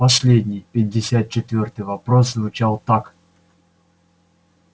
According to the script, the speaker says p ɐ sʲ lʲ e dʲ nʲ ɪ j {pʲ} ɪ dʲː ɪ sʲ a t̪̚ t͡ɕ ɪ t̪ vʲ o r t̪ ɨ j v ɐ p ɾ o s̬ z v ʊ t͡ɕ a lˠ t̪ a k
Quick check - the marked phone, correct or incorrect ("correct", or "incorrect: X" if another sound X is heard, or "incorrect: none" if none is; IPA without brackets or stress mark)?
correct